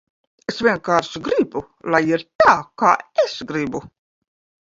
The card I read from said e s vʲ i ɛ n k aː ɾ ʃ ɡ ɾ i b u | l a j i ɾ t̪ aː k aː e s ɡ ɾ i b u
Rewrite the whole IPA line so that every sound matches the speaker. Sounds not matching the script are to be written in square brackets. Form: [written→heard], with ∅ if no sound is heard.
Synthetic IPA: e s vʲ i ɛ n k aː ɾ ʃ ɡ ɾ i b u | l a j i ɾ t̪ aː k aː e s ɡ ɾ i b u